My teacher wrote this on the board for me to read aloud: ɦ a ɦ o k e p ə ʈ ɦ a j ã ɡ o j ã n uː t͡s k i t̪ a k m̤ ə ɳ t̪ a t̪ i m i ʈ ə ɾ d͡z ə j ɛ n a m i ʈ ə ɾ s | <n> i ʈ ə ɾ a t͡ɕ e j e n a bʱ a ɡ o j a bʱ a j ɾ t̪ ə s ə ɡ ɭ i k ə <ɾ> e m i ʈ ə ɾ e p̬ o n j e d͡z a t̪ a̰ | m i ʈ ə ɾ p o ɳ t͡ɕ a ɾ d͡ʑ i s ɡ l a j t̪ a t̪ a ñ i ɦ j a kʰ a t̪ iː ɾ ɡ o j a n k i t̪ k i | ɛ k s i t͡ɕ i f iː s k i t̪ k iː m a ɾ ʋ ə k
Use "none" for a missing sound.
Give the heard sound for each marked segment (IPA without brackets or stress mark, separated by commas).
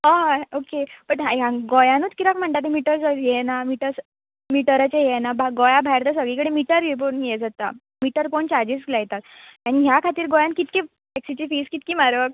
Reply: m, ɽ